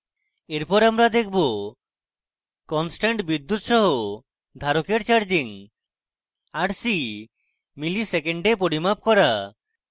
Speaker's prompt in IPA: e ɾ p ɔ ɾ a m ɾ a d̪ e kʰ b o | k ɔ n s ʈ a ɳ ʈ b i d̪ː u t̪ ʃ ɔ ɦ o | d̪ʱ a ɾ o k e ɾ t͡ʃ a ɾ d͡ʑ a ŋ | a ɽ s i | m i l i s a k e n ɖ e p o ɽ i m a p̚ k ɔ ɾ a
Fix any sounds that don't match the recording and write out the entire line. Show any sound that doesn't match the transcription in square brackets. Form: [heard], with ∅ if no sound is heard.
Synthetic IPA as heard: e ɾ p ɔ ɾ a m ɾ a d̪ e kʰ b o | k ɔ n s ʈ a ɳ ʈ b i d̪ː u t̪ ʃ ɔ ɦ o | d̪ʱ a ɾ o k e ɾ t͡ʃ a ɾ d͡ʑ [i] ŋ | a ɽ s i | m i l i s [e] k e [ɳ] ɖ e p o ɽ i m a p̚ k ɔ ɾ a